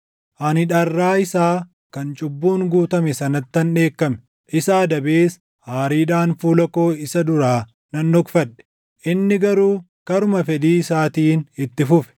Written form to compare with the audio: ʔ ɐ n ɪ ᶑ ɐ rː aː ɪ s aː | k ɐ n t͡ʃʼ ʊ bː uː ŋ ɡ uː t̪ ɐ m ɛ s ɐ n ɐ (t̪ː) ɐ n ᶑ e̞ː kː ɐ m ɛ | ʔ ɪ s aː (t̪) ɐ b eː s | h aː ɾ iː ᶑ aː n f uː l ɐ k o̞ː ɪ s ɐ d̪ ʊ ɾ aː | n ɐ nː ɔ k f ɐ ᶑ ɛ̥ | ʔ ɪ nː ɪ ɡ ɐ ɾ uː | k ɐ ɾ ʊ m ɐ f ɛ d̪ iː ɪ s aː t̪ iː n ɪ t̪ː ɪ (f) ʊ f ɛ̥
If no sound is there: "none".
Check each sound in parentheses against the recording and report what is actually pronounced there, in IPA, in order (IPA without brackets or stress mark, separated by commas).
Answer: t̪ː, d̪, f